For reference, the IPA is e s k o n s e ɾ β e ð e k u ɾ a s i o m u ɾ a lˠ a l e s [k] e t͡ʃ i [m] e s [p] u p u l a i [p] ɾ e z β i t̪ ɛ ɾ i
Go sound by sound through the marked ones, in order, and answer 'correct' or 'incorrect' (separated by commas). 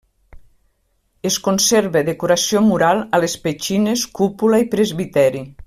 incorrect, incorrect, incorrect, correct